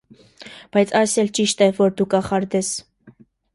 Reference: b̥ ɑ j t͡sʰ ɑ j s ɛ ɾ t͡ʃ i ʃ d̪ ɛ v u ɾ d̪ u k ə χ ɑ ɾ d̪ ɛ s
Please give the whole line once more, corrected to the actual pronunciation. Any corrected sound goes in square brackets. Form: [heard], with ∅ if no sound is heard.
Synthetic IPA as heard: b̥ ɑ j t͡sʰ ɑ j s ɛ [l] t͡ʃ i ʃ [t̪] ɛ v [ɔ] ɾ d̪ u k [ɑ] χ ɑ ɾ d̪ ɛ s